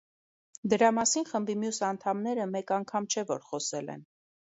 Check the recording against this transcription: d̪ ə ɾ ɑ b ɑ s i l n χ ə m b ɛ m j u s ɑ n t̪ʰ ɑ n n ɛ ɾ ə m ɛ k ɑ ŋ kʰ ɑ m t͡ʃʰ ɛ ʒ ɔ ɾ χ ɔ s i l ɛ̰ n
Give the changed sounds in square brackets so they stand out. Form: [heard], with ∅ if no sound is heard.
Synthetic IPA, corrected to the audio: d̪ ə ɾ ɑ [m] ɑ s i [∅] n χ ə m b [i] m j u s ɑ n t̪ʰ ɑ [m] n ɛ ɾ ə m ɛ k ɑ ŋ kʰ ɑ m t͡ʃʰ ɛ [v] ɔ ɾ χ ɔ s [ɛ] l ɛ̰ n